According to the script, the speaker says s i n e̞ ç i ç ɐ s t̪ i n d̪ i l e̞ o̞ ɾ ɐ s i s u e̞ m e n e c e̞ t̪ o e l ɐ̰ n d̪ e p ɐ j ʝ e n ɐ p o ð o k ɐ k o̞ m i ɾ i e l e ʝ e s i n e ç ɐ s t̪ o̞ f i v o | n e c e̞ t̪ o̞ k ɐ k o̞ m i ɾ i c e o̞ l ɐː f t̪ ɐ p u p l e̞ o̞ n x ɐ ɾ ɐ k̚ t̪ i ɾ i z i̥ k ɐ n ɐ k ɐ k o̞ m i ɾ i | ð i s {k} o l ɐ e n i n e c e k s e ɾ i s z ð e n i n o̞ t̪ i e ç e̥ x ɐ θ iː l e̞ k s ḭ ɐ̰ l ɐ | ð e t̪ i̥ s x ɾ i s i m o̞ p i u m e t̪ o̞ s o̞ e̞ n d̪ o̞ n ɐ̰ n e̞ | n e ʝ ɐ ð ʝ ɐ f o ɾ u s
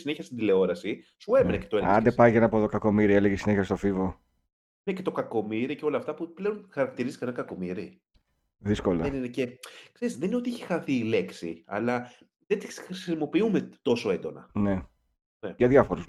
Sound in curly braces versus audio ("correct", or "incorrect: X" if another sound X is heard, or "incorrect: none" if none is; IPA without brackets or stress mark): correct